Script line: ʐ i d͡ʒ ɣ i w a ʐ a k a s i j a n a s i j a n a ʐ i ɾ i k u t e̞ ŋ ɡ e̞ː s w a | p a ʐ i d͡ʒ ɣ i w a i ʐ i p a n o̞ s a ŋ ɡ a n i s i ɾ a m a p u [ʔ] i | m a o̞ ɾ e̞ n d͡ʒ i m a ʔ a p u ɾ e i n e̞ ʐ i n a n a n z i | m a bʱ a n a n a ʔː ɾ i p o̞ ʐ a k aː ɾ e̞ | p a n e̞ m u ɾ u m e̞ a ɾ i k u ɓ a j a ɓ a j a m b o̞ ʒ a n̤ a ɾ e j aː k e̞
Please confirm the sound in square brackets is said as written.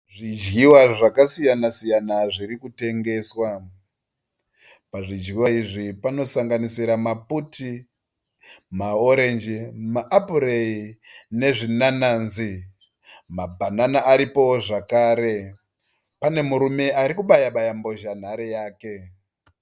no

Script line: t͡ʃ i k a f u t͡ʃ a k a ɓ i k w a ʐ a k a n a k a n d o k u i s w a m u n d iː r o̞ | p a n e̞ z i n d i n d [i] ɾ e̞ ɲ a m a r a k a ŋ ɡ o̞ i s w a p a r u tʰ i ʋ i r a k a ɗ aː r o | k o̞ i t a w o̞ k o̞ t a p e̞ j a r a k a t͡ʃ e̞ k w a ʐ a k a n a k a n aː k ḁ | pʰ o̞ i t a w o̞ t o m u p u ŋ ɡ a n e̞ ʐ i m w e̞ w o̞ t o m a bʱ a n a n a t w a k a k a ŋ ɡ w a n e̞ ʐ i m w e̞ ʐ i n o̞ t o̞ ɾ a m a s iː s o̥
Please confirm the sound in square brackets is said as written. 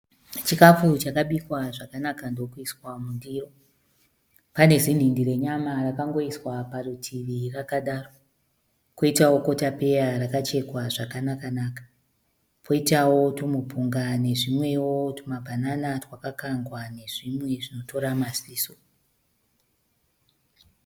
yes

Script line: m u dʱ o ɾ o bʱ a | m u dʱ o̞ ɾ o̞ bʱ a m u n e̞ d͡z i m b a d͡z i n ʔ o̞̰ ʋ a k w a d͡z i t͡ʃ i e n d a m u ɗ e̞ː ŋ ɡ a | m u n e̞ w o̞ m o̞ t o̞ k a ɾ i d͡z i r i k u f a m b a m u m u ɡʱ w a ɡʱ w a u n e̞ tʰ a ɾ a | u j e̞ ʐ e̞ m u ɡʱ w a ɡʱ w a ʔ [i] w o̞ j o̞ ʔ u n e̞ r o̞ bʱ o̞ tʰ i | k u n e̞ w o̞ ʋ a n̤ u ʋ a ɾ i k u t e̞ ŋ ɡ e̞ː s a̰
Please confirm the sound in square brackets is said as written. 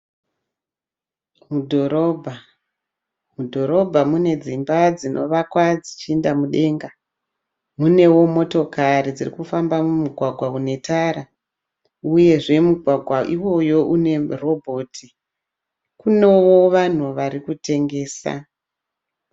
yes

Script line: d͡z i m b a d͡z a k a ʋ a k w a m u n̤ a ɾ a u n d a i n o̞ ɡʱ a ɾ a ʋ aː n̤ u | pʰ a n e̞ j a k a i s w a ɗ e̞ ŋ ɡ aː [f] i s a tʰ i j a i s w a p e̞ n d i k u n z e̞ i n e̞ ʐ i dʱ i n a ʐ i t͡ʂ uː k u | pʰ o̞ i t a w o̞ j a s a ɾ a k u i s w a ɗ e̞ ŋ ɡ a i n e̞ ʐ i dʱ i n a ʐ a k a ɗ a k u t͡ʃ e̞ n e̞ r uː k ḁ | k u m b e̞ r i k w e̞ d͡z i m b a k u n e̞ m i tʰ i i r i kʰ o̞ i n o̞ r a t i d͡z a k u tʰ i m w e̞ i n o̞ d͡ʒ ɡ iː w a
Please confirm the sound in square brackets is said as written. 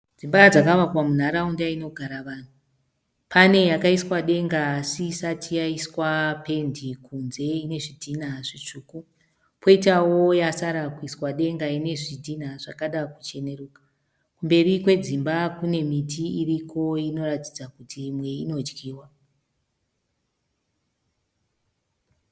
no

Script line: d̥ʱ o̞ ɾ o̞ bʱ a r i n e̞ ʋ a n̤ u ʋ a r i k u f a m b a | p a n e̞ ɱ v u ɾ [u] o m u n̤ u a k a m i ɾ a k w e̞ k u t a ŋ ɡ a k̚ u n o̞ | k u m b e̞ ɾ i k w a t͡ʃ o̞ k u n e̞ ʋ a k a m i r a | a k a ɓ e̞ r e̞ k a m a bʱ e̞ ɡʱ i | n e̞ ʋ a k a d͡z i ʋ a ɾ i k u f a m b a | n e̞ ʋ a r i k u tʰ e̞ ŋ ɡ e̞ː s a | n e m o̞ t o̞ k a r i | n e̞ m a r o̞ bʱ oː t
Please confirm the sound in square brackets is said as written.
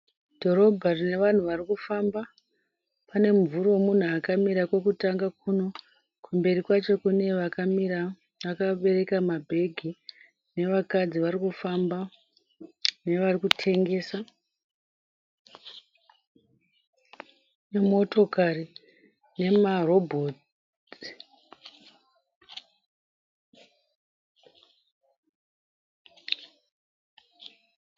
no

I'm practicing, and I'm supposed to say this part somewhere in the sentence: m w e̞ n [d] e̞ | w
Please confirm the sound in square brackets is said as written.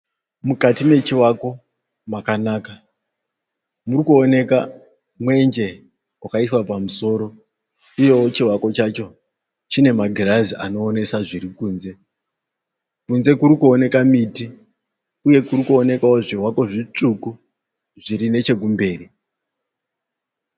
no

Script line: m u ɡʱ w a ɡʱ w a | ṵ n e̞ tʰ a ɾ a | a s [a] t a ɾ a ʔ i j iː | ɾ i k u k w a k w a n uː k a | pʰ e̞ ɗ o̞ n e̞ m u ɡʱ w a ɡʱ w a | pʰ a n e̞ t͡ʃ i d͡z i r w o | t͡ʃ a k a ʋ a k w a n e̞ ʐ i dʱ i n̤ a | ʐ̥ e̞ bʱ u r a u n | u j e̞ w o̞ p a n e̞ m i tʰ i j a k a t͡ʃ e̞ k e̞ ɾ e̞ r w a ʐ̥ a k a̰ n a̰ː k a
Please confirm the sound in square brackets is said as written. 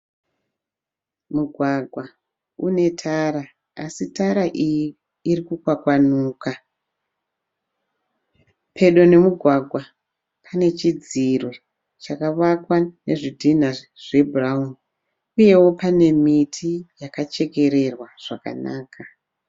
no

